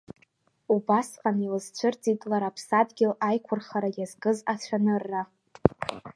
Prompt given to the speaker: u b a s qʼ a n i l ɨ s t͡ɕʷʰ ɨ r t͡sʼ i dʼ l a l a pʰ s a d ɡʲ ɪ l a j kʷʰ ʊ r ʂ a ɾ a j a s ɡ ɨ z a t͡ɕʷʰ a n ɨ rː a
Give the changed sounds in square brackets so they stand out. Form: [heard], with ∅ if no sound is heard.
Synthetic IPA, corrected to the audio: u b a s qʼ a n i l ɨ [z] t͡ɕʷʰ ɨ r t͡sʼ i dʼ l a [ɾ] a pʰ s a d ɡʲ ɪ l a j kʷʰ ʊ r [χ] a ɾ a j a [z] ɡ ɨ z a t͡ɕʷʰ a n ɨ rː a